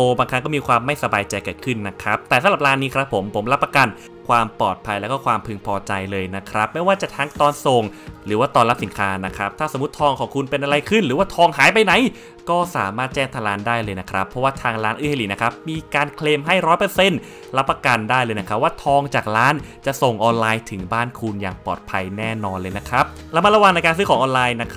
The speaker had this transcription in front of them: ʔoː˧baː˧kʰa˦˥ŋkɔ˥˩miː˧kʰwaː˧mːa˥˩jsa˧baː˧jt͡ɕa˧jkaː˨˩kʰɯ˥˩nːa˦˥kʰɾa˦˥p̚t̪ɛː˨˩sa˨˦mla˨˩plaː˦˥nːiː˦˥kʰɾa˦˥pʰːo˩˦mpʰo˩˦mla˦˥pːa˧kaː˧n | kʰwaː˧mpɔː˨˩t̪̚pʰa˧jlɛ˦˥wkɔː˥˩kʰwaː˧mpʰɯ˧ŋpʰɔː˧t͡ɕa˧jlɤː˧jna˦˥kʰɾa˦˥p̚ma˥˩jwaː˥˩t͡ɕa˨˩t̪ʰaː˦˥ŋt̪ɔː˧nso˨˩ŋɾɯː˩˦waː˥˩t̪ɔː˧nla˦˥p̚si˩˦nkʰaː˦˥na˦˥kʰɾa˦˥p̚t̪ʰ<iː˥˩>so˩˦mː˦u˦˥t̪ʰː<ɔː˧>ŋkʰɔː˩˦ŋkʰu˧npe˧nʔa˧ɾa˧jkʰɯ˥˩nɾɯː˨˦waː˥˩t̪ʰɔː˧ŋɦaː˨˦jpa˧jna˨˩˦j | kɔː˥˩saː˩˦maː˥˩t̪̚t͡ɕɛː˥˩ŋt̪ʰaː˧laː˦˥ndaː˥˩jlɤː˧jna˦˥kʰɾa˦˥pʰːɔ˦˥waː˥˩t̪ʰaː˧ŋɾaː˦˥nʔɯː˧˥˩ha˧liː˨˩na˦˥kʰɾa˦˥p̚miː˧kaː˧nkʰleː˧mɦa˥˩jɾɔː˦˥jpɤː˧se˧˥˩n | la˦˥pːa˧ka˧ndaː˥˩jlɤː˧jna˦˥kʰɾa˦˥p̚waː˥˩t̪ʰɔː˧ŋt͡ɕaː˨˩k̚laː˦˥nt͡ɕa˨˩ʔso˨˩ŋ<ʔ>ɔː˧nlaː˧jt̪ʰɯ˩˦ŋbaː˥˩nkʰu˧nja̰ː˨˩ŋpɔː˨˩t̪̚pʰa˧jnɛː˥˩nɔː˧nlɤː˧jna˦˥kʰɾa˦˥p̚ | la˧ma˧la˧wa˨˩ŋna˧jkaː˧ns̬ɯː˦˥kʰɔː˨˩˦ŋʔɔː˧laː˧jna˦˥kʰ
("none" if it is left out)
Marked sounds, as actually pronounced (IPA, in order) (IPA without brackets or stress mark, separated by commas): aː˥˩, ɔː˧, ʔ